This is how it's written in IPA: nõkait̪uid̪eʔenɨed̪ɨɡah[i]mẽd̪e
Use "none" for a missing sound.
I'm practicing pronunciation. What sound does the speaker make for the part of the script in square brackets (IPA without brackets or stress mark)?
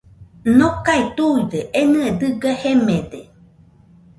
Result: e